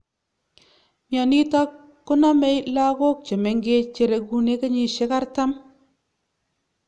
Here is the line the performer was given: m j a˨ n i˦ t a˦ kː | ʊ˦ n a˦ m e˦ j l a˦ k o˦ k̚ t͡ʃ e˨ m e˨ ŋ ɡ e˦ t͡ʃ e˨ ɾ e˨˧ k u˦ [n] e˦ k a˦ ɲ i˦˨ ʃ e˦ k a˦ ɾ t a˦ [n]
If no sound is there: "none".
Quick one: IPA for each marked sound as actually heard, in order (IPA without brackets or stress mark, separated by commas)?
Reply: n, m